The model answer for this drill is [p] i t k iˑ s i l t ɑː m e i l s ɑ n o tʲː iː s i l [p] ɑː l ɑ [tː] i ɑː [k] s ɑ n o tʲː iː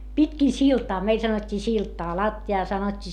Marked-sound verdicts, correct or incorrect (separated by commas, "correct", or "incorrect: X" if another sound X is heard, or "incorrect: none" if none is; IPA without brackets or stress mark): correct, incorrect: t, correct, incorrect: none